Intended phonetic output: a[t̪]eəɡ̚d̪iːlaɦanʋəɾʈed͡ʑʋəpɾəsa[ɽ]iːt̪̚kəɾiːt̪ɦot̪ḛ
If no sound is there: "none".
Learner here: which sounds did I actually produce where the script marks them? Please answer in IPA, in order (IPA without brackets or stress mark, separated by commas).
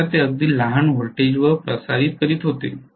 t̪, ɾ